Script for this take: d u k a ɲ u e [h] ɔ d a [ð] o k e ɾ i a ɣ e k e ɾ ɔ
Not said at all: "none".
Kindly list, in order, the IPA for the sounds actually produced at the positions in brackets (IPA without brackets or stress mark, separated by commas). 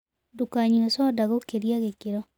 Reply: s, ɣ